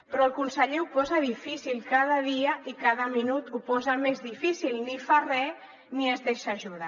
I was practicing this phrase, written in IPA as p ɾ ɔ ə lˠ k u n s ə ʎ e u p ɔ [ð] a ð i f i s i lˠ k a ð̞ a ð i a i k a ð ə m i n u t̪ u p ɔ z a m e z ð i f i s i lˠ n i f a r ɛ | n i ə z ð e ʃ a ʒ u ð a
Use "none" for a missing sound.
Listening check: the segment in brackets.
z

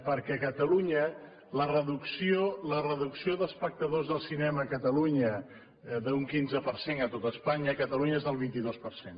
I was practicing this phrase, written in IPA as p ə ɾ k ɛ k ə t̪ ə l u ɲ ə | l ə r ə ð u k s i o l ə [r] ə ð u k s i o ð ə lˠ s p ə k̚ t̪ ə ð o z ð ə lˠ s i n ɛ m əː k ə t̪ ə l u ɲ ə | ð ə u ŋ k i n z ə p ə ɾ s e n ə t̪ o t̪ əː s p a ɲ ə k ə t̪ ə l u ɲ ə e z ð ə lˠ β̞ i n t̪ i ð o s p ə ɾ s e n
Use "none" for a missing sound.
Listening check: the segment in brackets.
r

